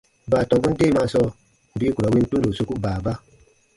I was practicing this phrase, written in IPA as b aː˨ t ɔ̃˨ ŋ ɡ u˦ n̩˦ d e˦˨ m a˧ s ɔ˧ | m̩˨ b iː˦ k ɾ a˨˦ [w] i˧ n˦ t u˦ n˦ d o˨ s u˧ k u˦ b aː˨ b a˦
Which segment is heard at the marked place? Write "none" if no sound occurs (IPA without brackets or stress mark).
w